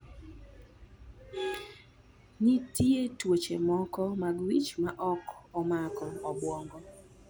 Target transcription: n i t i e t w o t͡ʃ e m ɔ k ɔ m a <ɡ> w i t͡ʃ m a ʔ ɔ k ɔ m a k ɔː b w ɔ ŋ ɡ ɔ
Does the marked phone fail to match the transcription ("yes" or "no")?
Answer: no